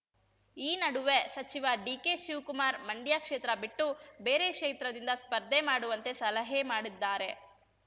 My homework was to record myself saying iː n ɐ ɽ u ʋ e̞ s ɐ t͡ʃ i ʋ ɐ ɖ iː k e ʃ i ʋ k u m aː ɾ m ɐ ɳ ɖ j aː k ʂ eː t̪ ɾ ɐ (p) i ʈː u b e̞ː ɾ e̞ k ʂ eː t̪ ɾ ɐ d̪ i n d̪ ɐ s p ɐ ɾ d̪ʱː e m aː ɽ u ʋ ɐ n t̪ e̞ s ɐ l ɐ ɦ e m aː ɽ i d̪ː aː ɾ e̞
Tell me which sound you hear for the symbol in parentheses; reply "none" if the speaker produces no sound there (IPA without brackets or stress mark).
b